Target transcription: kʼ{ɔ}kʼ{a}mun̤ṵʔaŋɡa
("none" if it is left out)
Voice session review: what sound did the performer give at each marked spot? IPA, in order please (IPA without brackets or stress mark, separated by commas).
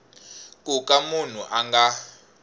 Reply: u, a